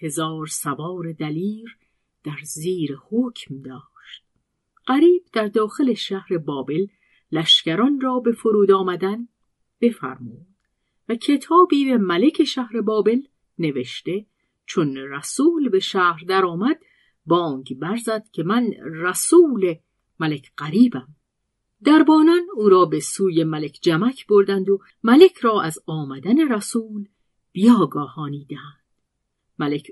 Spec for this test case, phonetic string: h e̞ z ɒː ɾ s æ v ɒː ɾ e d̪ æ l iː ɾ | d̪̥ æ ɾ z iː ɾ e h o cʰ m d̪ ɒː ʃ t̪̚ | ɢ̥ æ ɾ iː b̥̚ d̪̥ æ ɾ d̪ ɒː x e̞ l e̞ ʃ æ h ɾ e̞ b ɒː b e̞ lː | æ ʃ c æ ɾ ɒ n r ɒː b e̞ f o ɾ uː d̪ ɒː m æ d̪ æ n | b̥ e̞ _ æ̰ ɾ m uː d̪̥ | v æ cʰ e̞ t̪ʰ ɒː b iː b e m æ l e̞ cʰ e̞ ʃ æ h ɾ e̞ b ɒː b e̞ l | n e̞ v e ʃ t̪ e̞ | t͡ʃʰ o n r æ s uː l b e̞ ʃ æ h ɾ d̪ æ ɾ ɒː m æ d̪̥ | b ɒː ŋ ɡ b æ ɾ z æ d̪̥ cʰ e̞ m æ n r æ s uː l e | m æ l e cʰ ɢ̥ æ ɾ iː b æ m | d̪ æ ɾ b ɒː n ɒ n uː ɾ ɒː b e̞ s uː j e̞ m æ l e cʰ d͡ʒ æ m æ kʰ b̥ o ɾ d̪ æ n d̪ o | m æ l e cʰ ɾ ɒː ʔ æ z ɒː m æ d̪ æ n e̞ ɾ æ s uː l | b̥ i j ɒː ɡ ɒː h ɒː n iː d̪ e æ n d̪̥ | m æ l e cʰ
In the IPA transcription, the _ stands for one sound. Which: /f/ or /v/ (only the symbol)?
f